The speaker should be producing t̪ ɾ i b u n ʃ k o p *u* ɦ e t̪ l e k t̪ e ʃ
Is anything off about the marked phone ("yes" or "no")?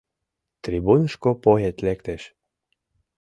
yes